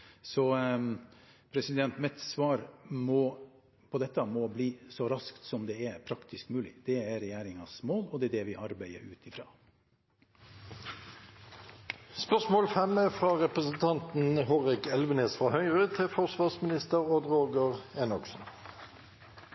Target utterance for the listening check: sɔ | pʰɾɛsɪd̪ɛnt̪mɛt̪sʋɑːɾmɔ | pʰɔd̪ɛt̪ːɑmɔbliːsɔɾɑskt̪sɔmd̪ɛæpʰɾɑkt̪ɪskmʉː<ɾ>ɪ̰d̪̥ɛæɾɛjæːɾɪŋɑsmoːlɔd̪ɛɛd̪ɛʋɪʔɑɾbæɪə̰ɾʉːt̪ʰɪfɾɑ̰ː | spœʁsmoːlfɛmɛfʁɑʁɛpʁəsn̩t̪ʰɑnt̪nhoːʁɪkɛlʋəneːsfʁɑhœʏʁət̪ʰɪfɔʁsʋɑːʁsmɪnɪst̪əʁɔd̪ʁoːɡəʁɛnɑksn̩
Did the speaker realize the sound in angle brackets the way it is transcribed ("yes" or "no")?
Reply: no